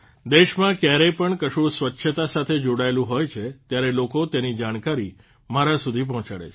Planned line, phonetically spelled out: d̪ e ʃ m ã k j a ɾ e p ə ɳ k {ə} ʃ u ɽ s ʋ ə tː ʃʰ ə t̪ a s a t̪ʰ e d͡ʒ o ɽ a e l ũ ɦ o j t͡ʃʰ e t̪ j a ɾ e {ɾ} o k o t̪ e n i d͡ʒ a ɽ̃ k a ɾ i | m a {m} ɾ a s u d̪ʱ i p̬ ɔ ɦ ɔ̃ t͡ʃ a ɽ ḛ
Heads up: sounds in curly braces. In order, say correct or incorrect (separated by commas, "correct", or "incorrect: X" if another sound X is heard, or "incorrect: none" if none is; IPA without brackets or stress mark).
correct, incorrect: l, incorrect: none